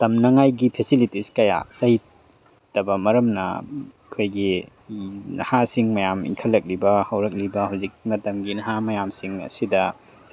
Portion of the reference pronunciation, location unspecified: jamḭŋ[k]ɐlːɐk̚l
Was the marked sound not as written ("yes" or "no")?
yes